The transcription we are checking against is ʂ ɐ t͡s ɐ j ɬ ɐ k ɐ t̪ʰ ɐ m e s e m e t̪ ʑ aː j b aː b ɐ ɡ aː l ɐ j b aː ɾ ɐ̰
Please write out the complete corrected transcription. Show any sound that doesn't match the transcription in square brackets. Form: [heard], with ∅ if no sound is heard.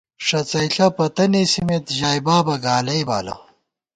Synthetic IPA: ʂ ɐ t͡s ɐ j ɬ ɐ [p] ɐ [t̪] ɐ [n] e s [i] m e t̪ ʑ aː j b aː b ɐ ɡ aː l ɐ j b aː [l] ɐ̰